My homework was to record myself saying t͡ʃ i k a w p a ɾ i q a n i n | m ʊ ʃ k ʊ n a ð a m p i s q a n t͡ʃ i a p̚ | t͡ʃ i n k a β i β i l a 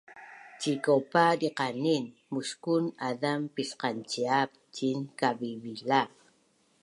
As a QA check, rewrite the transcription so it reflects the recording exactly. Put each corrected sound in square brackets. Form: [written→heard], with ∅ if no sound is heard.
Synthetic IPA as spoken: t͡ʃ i k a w p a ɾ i q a n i n | m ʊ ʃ k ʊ n a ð a m p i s q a n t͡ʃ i a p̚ | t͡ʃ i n k a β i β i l a